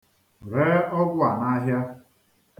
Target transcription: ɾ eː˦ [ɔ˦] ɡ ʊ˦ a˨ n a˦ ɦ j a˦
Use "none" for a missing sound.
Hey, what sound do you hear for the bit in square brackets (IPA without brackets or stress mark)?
ɔ˦